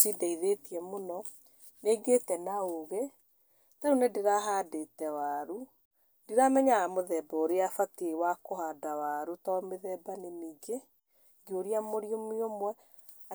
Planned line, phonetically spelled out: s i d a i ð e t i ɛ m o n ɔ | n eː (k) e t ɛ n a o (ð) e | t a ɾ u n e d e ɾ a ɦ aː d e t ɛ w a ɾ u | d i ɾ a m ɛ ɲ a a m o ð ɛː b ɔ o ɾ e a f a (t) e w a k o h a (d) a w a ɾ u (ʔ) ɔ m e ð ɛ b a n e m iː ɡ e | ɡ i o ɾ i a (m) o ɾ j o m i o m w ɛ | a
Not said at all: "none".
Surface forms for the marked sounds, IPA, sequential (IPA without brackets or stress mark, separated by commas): ɡ, ɣ, t, d, t, m